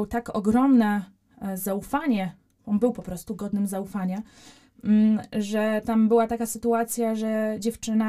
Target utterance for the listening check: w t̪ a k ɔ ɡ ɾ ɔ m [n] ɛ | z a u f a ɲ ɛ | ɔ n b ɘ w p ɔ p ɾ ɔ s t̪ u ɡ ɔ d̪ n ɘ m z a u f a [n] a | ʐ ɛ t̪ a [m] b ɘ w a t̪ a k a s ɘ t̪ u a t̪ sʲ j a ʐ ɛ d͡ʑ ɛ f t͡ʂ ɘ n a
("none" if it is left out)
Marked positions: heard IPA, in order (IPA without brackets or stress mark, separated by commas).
n, ɲ, m